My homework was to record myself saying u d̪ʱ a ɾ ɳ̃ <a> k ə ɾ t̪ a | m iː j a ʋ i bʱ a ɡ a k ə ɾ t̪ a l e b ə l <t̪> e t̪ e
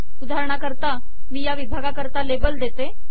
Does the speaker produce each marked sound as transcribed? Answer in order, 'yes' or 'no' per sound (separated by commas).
yes, no